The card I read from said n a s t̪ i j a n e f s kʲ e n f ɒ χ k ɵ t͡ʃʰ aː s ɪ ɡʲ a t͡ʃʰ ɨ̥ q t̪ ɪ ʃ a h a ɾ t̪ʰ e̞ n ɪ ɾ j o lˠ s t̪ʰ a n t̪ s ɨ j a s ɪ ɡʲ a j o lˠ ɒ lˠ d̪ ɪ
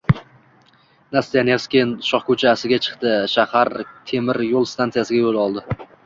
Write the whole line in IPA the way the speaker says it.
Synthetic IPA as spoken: n a s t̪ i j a n e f s kʲ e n ʃ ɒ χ k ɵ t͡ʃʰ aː s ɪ ɡʲ a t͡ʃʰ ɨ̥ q t̪ ɪ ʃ a h a ɾ t̪ʰ e̞ m ɪ ɾ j o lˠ s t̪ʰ a n t̪ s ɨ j a s ɪ ɡʲ a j o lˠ ɒ lˠ d̪ ɪ